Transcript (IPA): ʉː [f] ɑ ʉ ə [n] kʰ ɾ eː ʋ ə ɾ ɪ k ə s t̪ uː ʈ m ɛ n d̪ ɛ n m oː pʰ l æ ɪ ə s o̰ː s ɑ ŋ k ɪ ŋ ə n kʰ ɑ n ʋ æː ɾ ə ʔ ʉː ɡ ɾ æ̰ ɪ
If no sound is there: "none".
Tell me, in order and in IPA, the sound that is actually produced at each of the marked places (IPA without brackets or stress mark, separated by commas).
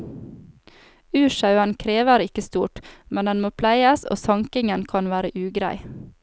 ʃ, n